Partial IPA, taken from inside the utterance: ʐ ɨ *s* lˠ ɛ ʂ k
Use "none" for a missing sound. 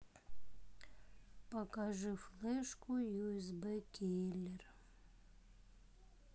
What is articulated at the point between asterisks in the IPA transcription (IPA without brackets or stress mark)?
f